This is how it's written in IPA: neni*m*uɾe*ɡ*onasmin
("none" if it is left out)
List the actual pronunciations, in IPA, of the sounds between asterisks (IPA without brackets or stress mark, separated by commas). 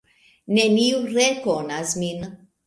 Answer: none, k